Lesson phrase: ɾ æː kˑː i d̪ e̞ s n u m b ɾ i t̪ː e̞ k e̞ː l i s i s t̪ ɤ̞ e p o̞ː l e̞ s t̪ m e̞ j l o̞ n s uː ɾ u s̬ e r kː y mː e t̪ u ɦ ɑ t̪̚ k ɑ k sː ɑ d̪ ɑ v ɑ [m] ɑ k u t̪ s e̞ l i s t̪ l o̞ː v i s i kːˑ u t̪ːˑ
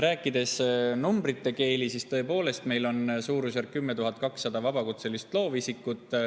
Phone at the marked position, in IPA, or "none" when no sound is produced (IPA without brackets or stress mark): b